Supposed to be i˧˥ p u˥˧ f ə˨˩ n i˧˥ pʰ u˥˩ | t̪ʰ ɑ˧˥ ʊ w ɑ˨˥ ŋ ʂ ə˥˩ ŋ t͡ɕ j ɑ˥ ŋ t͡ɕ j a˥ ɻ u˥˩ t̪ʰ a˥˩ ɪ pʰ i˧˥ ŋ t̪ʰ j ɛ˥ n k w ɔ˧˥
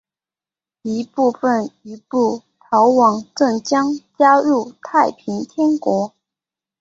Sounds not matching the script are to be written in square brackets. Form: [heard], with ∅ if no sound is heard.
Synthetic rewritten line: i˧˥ p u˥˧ f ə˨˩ n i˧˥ [p] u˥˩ | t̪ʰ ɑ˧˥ ʊ w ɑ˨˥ ŋ [ʈ͡ʂ] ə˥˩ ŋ t͡ɕ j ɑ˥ ŋ t͡ɕ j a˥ ɻ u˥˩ t̪ʰ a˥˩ ɪ pʰ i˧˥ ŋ t̪ʰ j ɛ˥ n k w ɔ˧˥